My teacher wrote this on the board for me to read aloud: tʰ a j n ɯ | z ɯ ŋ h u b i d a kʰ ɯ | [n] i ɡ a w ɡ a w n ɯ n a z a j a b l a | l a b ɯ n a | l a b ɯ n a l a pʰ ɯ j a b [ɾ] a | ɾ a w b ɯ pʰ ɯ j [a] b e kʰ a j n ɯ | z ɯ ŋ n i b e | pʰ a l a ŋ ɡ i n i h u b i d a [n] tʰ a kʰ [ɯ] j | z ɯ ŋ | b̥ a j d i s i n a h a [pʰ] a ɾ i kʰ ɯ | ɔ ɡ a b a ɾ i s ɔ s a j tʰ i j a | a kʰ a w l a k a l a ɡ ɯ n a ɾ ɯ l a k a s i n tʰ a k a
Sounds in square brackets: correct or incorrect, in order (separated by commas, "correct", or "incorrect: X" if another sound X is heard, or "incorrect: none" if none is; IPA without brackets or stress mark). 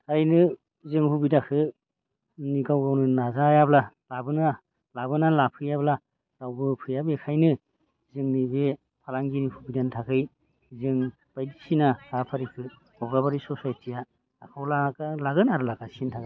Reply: correct, incorrect: l, correct, correct, correct, correct